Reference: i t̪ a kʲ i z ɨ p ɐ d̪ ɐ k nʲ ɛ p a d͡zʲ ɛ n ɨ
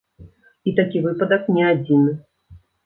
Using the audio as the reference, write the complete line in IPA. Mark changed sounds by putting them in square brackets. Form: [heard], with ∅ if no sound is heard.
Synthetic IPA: i t̪ a kʲ i [v] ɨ p ɐ d̪ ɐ k nʲ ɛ [∅] a d͡zʲ [i] n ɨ